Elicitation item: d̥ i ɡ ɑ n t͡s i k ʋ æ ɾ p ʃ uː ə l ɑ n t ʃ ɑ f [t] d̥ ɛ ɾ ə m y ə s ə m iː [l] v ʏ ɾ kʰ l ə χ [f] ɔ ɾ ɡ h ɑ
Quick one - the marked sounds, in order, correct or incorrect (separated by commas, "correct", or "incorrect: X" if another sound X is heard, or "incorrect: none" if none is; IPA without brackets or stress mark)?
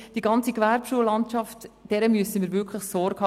correct, incorrect: ɾ, incorrect: s